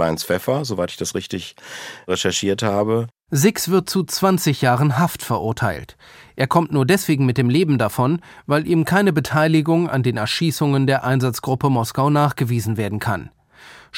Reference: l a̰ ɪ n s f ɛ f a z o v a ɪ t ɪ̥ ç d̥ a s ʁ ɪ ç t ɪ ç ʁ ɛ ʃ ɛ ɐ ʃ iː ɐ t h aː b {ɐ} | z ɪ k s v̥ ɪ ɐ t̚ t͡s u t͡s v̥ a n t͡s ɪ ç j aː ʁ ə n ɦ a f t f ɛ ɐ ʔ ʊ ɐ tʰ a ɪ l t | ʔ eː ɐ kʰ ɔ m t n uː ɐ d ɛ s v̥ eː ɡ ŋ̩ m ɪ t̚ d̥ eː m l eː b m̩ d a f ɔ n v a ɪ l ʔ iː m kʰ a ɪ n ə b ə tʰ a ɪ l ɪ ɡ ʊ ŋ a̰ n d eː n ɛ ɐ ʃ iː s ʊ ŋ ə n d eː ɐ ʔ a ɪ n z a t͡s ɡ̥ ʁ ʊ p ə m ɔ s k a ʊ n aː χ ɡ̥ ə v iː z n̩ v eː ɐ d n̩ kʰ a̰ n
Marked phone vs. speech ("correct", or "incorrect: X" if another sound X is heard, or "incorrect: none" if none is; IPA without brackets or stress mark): incorrect: ə